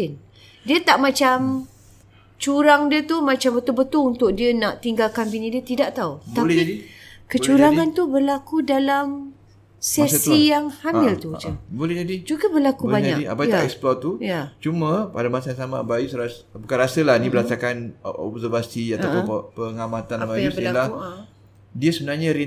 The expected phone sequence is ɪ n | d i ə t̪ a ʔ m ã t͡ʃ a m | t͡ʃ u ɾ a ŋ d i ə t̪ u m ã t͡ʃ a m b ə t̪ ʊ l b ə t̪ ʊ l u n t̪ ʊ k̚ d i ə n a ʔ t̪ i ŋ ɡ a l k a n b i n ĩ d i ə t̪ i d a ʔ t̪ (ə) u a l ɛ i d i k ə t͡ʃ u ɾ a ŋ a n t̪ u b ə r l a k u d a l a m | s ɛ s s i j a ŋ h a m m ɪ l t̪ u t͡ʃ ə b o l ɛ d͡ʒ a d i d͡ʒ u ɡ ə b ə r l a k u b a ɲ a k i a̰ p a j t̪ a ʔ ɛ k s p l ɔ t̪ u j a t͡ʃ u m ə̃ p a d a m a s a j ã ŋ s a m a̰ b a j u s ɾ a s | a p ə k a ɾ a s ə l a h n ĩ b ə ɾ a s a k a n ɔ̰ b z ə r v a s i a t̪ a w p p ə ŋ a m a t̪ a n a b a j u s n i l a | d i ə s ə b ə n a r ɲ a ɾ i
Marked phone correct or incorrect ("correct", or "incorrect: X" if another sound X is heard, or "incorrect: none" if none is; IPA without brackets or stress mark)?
incorrect: a